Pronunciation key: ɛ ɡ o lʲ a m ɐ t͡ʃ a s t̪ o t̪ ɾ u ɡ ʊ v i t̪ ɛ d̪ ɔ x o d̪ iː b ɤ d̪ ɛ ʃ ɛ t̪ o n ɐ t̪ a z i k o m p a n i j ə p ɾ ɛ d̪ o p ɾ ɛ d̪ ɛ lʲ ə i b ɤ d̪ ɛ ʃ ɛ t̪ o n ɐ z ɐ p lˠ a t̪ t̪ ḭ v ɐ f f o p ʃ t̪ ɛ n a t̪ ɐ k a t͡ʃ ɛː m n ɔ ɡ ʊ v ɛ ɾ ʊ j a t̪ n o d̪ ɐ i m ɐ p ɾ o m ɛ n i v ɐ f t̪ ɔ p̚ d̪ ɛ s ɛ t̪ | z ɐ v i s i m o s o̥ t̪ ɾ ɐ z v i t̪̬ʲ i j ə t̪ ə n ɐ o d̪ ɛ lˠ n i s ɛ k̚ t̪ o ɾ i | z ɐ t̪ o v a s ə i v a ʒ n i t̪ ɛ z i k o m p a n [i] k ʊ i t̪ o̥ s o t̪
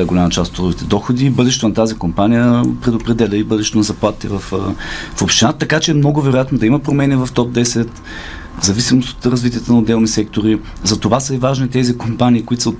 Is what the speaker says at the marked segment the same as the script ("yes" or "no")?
no